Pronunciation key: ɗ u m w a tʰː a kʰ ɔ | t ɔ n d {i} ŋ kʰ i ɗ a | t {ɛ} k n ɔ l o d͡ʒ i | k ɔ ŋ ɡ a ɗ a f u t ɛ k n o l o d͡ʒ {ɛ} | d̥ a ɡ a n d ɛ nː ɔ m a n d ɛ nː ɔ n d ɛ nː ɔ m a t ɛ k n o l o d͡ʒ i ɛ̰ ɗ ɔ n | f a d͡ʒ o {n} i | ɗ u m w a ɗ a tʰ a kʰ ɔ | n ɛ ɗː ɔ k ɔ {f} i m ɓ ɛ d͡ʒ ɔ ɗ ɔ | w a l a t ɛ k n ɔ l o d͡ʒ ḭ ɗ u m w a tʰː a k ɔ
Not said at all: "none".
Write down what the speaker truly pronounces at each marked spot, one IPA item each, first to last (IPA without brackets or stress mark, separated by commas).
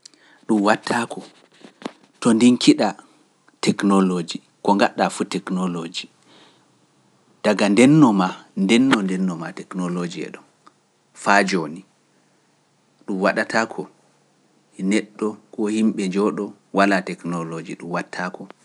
i, ɛ, i, n, h